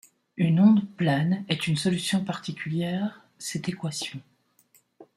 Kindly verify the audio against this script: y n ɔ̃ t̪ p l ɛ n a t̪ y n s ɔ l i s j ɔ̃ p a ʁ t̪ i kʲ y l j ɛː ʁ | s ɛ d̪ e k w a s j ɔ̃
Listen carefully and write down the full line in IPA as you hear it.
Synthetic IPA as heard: y n ɔ̃ d̪ p l ɛ n ɛ t̪ y n s ɔ l y s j ɔ̃ p a ʁ t̪ i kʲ y l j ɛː ʁ | s ɛ t̪ e k w a s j ɔ̃